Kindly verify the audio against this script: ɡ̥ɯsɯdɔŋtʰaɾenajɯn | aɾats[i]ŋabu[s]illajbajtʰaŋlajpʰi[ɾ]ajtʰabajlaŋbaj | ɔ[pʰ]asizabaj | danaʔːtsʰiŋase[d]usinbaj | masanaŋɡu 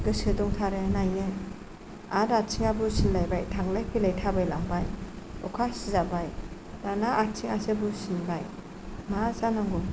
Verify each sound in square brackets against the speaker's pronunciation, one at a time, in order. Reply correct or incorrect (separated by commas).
correct, correct, incorrect, incorrect, incorrect